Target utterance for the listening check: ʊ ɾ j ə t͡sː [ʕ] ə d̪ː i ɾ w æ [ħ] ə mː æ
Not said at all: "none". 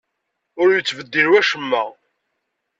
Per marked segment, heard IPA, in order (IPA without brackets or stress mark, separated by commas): v, ʃ